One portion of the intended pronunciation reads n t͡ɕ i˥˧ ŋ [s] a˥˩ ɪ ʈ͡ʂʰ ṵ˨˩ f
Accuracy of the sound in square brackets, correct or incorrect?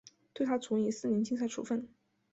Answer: correct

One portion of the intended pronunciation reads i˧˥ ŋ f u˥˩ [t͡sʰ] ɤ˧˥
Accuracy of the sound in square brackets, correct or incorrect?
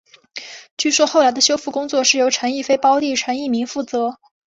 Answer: incorrect: t͡s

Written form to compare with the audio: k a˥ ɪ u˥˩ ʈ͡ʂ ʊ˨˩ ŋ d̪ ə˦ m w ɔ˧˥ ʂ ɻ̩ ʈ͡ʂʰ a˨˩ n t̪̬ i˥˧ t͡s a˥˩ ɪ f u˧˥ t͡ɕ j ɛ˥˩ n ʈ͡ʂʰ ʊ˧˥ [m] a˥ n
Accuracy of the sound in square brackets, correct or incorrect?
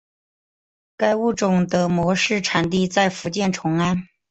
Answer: incorrect: ŋ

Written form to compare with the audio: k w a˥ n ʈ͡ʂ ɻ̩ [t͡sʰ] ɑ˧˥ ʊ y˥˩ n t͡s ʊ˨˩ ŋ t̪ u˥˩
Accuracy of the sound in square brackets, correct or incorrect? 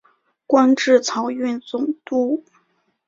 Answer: correct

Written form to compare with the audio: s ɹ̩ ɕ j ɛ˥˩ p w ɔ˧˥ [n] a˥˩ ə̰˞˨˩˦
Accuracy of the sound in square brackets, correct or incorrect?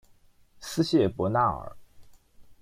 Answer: correct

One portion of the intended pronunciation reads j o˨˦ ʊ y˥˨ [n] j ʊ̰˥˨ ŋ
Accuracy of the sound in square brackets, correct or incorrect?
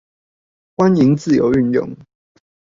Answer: correct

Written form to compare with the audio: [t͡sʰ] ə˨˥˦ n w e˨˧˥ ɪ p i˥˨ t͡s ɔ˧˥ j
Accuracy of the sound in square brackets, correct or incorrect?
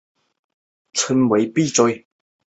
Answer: correct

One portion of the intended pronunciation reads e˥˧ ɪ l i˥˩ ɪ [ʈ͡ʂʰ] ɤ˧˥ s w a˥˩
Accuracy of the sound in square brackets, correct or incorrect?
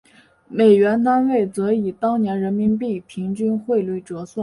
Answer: incorrect: ʈ͡ʂ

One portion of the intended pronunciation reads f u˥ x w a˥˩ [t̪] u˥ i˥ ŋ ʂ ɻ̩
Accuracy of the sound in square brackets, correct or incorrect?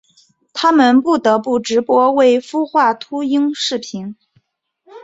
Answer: incorrect: t̪ʰ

